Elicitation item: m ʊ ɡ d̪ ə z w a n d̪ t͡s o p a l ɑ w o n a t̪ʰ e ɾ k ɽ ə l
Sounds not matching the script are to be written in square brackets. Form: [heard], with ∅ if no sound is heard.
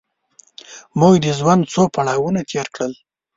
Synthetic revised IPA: m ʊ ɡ d̪ ə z w a n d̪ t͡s o p a [ɽ] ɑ w [u] n a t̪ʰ e ɾ k ɽ ə l